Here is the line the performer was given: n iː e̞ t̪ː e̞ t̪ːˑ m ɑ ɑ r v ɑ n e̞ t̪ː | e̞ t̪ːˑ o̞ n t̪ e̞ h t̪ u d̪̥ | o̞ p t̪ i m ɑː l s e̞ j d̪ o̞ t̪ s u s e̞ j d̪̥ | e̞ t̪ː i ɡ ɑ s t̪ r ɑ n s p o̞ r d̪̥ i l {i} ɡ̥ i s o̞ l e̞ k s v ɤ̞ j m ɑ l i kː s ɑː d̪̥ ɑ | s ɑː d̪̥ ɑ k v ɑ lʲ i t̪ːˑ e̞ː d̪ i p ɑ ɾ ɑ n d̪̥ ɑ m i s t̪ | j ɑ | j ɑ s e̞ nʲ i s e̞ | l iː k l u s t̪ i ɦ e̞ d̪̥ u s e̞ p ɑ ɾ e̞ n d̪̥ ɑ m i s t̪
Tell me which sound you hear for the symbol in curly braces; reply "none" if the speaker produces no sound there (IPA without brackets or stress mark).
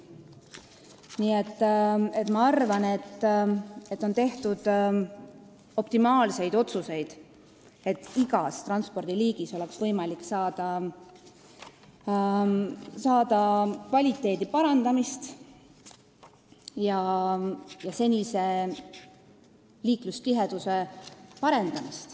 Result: iː